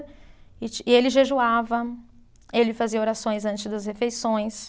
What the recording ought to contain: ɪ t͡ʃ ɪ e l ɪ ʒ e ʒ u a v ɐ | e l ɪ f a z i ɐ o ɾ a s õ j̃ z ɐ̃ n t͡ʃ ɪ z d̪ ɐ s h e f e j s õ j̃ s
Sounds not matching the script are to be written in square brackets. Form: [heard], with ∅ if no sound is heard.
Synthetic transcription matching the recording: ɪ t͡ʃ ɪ e l ɪ ʒ e ʒ u a v ɐ | e l ɪ f a z i ɐ o ɾ a s õ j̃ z ɐ̃ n t͡ʃ ɪ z d̪ ɐ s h e f e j s õ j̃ s